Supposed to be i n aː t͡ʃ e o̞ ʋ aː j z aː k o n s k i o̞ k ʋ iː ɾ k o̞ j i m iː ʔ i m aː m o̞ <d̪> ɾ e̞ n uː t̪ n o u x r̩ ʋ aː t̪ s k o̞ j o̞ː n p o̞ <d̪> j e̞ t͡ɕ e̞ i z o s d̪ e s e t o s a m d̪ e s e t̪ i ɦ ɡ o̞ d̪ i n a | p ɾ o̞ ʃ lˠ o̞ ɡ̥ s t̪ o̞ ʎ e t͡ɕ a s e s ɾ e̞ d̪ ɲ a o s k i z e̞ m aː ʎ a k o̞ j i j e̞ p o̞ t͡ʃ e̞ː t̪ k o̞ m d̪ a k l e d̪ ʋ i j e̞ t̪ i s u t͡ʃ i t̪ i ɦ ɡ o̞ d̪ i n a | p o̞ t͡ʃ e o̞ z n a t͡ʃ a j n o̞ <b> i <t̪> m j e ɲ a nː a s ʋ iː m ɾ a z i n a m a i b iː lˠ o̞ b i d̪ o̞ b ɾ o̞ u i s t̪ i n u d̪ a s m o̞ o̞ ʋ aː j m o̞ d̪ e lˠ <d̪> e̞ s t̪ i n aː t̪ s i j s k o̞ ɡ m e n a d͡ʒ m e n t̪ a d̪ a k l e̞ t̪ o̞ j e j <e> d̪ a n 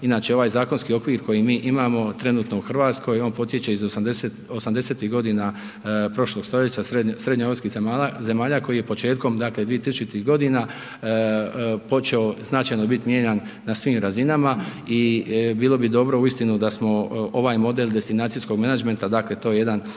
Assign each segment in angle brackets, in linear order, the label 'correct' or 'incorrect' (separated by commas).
incorrect, incorrect, correct, correct, correct, correct